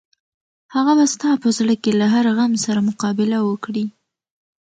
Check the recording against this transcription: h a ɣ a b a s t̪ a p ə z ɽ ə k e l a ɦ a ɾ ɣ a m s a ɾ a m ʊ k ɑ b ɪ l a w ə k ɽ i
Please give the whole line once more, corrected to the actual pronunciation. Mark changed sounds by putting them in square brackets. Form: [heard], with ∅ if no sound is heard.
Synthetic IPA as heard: h a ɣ a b a s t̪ [ɑ] p ə z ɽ ə k e l a ɦ a ɾ ɣ a m s a ɾ a m ʊ [q] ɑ b ɪ l a w ə k ɽ i